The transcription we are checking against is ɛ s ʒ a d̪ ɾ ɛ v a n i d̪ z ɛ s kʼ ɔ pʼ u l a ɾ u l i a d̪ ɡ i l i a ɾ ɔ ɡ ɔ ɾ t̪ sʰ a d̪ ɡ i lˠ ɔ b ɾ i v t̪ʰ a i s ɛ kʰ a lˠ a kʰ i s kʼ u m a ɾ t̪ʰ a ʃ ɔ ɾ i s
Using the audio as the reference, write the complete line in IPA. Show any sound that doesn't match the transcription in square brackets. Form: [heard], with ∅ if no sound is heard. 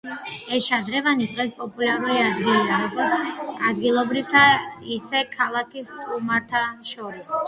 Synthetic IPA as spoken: ɛ s [ʃ] a d̪ ɾ ɛ v a n i d̪ [ʁ] ɛ s [pʼ] ɔ pʼ u l a ɾ u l i a d̪ ɡ i l i a ɾ ɔ ɡ ɔ ɾ t̪ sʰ a d̪ ɡ i lˠ ɔ b ɾ i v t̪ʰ a i s ɛ kʰ a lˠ a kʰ i s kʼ u m a ɾ t̪ʰ a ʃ ɔ ɾ i s